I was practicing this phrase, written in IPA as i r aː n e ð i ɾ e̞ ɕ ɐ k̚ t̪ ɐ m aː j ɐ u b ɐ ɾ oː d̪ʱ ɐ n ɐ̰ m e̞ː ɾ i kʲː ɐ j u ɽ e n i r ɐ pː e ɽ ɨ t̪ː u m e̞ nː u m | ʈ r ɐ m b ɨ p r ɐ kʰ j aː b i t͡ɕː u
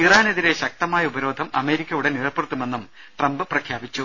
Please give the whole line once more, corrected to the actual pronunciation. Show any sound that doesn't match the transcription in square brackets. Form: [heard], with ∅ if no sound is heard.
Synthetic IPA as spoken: i r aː n e ð i ɾ e̞ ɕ ɐ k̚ t̪ ɐ m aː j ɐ u b ɐ ɾ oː d̪ʱ ɐ [m] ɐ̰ m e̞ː ɾ i kʲː ɐ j u ɽ e n i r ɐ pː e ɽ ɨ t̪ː u m e̞ nː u m | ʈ r ɐ m b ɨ p r ɐ kʰ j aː b i t͡ɕː u

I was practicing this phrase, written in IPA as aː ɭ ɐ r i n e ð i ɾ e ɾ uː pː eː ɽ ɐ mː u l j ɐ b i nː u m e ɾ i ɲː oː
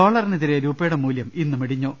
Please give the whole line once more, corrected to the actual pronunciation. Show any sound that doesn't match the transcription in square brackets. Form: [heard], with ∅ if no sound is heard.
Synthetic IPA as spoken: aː ɭ ɐ r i n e ð i ɾ e ɾ uː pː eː ɽ ɐ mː [uː] l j ɐ [m] i nː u m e [ɽ] i ɲː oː

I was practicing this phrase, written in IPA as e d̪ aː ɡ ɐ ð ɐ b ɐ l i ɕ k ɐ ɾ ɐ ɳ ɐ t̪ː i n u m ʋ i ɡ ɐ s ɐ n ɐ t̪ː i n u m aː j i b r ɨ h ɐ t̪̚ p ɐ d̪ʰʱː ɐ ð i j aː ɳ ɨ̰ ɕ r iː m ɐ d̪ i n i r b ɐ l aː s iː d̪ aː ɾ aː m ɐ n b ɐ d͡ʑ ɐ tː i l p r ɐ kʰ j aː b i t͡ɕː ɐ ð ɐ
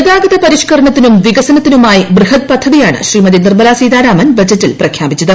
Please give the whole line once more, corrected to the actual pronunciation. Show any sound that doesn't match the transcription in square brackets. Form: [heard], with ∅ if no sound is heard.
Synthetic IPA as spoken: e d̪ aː ɡ ɐ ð ɐ [p] ɐ [ɾ] i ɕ k ɐ ɾ ɐ ɳ ɐ t̪ː i n u m ʋ i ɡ ɐ s ɐ n ɐ t̪ː i n u m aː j i b r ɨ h ɐ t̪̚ p ɐ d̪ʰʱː ɐ ð i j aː ɳ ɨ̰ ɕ r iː m ɐ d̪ i n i r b ɐ l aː s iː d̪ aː ɾ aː m ɐ n b ɐ d͡ʑ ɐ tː i l p r ɐ kʰ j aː b i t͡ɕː ɐ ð ɐ

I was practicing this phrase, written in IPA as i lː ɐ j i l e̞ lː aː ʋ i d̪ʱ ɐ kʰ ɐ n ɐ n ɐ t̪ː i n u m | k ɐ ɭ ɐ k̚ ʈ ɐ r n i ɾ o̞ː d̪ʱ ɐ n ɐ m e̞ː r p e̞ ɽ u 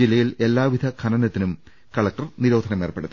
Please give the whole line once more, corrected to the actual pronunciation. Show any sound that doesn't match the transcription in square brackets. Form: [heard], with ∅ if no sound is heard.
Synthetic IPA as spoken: i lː ɐ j i l e̞ lː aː ʋ i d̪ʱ ɐ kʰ ɐ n ɐ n ɐ t̪ː i n u m | k ɐ ɭ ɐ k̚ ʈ ɐ r n i ɾ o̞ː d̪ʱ ɐ n ɐ m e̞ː r p e̞ ɽ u

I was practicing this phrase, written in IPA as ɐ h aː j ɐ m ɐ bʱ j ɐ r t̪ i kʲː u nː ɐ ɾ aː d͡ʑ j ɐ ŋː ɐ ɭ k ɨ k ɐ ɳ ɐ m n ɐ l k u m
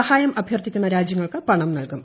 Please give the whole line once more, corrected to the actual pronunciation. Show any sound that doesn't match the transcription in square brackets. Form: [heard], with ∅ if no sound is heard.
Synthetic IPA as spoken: ɐ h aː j ɐ m ɐ bʱ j ɐ r t̪ i kʲː u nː ɐ ɾ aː d͡ʑ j ɐ ŋː ɐ ɭ k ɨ [p] ɐ ɳ ɐ m n ɐ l k u m

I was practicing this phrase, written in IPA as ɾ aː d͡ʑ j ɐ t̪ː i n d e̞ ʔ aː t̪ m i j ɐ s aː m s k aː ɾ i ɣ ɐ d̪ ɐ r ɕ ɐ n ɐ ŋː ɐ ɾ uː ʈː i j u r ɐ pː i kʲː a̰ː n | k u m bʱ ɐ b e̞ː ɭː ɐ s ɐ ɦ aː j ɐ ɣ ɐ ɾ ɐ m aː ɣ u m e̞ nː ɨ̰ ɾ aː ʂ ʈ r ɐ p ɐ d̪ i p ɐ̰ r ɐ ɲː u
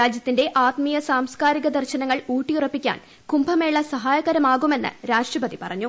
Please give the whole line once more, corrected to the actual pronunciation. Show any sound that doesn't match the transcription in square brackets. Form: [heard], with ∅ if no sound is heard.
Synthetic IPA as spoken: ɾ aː d͡ʑ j ɐ t̪ː i n d e̞ ʔ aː t̪ m i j ɐ s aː m s k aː ɾ i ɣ ɐ d̪ ɐ r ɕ ɐ n ɐ ŋː ɐ [ɭ] uː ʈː i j u r ɐ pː i kʲː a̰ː n | k u m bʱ ɐ [m] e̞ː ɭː ɐ s ɐ ɦ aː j ɐ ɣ ɐ ɾ ɐ m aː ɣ u m e̞ nː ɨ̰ ɾ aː ʂ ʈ r ɐ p ɐ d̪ i p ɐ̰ r ɐ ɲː u

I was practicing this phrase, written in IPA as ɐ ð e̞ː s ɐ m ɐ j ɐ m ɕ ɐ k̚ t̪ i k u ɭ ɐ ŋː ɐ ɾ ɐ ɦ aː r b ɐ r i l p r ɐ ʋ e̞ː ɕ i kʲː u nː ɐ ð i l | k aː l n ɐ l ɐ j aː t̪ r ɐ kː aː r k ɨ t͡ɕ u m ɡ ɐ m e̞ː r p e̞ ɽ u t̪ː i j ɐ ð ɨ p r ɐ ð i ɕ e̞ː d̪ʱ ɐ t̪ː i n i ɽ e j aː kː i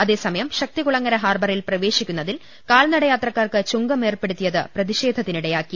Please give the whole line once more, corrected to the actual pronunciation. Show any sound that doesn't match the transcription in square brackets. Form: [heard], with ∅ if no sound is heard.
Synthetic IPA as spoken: ɐ ð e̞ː s ɐ m ɐ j ɐ m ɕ ɐ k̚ t̪ i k u ɭ ɐ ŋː ɐ ɾ ɐ ɦ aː r b ɐ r i l p r ɐ ʋ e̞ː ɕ i kʲː u nː ɐ ð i l | k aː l n ɐ [ɽ] ɐ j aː t̪ r ɐ kː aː r k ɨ t͡ɕ u [ŋ] ɡ ɐ m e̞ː r p e̞ ɽ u t̪ː i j ɐ ð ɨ p r ɐ ð i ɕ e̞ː d̪ʱ ɐ t̪ː i n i ɽ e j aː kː i

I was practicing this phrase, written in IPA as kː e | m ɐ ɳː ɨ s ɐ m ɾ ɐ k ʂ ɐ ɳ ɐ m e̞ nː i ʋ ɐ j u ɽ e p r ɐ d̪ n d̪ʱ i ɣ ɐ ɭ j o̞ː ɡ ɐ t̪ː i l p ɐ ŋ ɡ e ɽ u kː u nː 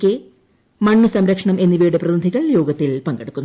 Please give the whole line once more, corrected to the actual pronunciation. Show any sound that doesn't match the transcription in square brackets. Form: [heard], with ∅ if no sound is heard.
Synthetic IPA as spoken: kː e | m ɐ ɳː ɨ s ɐ m ɾ ɐ k ʂ ɐ ɳ ɐ m e̞ nː i ʋ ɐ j u ɽ e p r ɐ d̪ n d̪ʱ i ɣ ɐ ɭ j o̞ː ɡ ɐ t̪ː i l p ɐ ŋ ɡ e ɽ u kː u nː

